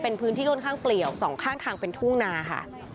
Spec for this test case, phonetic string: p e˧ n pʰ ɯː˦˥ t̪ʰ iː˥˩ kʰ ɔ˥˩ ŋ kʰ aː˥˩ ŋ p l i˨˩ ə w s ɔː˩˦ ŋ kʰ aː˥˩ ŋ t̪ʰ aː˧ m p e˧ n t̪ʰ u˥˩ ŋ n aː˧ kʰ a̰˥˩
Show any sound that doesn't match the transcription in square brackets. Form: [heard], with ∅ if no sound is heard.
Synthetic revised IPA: p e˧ n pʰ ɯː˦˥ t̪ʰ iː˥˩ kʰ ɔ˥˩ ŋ kʰ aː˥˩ ŋ p l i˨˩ ə w s ɔː˩˦ ŋ kʰ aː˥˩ ŋ t̪ʰ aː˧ [ŋ] p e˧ n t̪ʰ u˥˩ ŋ n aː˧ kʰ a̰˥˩